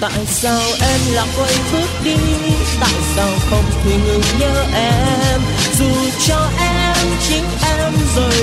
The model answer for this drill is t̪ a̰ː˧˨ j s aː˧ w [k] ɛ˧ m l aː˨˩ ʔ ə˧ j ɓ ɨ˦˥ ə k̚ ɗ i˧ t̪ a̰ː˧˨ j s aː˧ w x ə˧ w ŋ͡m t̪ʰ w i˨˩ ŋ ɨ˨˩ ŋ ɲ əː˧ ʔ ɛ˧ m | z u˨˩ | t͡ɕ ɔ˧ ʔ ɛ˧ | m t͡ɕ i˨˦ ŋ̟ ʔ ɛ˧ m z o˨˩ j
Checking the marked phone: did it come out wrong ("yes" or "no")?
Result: yes